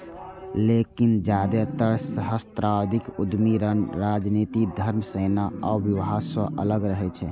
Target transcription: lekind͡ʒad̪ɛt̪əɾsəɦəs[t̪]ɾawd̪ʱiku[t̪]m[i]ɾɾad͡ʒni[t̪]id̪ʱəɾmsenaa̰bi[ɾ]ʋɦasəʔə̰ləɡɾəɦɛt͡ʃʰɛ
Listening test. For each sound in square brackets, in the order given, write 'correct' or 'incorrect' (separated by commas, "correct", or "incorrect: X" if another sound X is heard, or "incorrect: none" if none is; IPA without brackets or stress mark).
correct, incorrect: d̪, correct, correct, incorrect: none